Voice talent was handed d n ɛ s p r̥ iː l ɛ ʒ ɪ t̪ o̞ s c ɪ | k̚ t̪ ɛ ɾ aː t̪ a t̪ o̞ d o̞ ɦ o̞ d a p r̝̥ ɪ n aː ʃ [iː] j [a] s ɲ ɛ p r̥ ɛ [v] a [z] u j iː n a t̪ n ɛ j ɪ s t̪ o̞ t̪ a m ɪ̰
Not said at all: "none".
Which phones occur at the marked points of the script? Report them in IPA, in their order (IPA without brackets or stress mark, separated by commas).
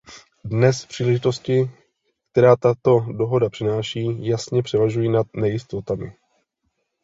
iː, a, v, ʒ